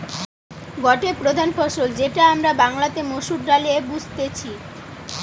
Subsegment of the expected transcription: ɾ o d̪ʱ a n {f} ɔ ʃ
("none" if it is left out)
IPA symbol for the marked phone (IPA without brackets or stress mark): f